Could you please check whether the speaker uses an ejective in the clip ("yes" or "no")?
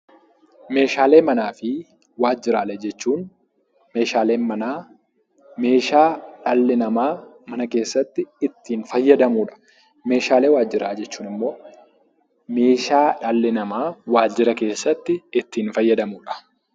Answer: no